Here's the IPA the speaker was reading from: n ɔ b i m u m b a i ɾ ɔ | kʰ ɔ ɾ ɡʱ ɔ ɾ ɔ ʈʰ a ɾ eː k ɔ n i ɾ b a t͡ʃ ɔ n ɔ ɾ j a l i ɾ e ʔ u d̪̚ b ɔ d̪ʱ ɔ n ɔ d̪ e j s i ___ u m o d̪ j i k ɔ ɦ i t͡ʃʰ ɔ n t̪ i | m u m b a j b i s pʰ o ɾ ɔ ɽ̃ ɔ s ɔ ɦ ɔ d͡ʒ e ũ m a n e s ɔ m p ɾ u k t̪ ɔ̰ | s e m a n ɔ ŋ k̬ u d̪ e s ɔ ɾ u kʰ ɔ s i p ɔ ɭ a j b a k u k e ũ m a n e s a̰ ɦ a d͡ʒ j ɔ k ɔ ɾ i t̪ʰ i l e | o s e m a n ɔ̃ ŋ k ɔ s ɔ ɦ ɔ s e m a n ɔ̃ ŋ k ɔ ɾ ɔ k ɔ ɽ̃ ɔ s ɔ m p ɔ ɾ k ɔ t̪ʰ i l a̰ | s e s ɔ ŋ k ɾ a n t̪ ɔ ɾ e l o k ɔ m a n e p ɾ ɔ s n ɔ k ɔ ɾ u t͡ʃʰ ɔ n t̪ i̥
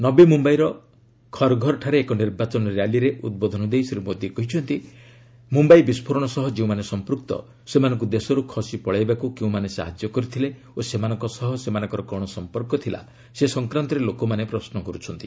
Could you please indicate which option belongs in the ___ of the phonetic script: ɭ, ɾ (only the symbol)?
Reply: ɾ